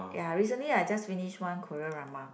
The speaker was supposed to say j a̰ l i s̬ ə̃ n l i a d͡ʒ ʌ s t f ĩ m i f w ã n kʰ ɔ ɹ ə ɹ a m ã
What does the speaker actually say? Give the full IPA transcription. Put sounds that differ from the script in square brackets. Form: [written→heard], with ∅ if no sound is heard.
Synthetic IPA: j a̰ [l→ɹ] i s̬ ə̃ n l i a d͡ʒ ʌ s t f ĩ [m→n] i [f→ʃ] w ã n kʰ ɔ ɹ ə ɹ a m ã